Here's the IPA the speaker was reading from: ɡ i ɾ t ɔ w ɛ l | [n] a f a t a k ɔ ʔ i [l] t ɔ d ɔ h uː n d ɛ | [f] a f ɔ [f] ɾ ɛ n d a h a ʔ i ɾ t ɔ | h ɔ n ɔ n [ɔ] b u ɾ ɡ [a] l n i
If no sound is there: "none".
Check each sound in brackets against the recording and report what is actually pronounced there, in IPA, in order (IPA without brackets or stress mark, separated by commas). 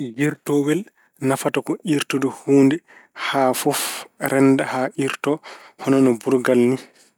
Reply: n, ɾ, h, f, ɔ, a